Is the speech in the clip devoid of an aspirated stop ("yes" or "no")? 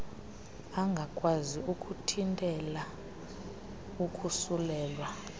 no